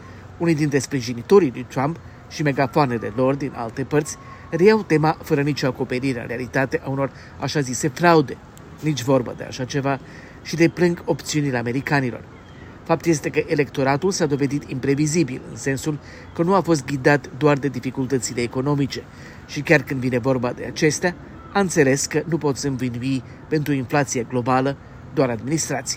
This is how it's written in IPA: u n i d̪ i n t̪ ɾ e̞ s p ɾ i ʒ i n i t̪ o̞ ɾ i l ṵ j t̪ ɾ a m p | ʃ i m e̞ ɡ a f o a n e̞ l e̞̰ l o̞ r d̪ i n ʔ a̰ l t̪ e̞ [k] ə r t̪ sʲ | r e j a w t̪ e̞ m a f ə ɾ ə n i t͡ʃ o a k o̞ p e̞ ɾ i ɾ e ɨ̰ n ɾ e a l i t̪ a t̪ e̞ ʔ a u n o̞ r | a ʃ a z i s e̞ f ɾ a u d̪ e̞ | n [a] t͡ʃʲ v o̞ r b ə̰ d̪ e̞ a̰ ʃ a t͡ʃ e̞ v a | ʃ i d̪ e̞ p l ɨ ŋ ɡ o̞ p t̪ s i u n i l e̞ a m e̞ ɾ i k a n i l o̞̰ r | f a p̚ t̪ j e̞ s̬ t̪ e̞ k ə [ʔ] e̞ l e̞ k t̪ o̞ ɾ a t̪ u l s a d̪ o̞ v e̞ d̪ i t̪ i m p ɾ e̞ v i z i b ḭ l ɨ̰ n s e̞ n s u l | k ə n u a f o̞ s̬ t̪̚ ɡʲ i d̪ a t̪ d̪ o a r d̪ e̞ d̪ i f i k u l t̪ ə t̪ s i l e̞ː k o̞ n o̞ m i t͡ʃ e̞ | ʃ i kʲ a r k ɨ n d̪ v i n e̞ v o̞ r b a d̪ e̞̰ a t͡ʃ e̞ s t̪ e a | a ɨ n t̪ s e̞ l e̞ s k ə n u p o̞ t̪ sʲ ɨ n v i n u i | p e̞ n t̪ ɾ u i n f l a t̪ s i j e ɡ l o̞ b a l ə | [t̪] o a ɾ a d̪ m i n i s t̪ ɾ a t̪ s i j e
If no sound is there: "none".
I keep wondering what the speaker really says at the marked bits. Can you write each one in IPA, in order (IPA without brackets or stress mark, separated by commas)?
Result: p, i, ʔ, d̪